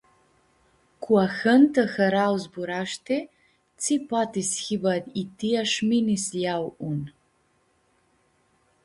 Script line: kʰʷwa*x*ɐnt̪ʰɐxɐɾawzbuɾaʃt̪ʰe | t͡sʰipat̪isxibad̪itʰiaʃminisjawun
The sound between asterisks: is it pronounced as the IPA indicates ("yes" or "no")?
yes